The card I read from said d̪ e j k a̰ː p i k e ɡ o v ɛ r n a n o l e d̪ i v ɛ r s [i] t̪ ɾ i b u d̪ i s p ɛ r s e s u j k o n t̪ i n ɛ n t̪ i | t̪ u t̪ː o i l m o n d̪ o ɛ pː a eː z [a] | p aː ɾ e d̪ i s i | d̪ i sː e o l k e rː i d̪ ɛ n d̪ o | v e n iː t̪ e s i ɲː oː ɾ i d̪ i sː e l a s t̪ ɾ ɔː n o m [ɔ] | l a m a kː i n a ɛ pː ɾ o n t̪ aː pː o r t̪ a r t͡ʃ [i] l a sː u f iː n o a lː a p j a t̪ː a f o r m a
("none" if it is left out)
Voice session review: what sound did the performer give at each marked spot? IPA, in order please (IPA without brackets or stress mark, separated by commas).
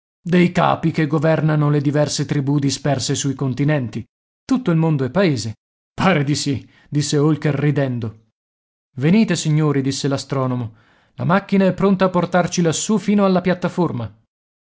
e, e, o, i